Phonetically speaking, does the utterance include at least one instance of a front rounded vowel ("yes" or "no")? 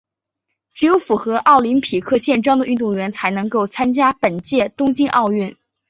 yes